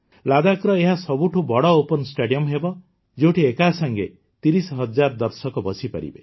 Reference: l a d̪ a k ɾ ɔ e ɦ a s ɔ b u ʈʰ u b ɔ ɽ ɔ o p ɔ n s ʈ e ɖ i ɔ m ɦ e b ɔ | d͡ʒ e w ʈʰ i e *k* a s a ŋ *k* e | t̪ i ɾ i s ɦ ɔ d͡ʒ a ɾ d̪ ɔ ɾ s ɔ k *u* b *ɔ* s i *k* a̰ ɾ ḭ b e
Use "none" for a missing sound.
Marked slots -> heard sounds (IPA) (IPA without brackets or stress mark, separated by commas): k, ɡ, ɔ, ɔ, p